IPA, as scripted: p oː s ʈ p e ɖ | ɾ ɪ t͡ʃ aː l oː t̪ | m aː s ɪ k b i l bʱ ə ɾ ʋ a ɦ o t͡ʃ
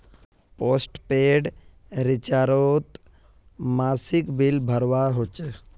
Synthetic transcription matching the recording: p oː s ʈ p e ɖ | ɾ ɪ t͡ʃ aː ɾ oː t̪ | m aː s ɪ k b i l bʱ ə ɾ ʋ a ɦ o t͡ʃ